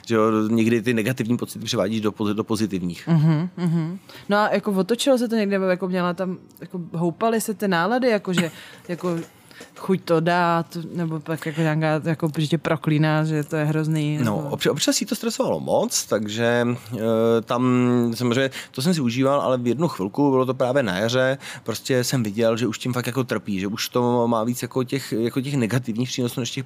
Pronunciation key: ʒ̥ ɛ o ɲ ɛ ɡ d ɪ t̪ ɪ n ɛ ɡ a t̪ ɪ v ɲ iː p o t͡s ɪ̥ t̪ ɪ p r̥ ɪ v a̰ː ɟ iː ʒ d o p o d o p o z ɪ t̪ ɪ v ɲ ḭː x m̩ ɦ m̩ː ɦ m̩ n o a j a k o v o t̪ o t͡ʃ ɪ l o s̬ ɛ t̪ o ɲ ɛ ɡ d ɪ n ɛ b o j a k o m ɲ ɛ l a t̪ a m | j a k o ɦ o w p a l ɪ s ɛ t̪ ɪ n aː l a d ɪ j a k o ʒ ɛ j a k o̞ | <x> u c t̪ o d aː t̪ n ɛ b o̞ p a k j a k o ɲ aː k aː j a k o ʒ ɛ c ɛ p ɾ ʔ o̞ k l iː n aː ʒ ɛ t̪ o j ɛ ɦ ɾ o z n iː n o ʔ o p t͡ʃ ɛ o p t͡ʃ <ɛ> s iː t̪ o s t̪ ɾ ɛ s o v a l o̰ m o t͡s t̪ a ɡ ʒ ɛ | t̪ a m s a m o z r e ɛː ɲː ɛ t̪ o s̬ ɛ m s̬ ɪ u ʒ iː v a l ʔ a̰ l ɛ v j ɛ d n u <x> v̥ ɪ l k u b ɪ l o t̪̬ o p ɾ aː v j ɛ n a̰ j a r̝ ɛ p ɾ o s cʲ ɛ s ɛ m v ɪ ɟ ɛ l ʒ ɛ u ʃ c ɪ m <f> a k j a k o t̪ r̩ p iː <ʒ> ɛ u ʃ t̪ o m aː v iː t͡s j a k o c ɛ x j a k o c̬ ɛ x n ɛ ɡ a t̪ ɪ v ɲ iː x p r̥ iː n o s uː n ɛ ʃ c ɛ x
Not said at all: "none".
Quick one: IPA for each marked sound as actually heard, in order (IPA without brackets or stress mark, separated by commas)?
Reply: x, a, x, f, ʒ